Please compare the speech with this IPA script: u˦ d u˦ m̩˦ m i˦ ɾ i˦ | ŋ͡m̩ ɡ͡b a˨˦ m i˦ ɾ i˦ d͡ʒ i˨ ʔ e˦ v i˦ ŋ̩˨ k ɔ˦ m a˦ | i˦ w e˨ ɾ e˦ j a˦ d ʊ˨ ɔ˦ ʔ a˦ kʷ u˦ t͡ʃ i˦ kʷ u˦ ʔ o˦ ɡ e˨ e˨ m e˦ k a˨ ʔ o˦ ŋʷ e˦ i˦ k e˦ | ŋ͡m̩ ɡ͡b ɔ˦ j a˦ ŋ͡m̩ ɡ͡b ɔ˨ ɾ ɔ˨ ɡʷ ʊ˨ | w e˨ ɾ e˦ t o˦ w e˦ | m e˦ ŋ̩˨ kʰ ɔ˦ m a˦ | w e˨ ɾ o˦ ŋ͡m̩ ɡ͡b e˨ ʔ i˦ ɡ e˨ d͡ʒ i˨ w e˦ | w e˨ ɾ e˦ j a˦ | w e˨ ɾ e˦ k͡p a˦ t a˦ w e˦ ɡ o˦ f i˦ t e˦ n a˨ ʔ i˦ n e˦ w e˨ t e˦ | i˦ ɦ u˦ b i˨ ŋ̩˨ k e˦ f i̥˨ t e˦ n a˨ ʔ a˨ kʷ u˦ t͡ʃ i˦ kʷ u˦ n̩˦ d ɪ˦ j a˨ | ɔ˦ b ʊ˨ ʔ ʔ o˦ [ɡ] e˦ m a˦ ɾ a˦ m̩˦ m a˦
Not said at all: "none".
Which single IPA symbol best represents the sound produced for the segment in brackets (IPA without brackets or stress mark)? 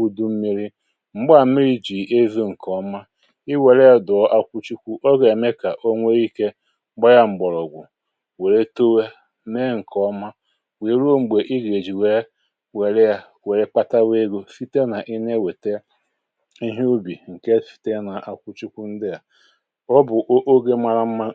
ɡ